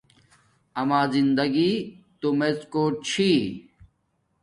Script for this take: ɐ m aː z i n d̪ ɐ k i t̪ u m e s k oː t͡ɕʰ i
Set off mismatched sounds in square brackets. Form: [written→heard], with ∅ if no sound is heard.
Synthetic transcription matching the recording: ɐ m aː z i n d̪ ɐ [k→ɡ] i t̪ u m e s k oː t͡ɕʰ i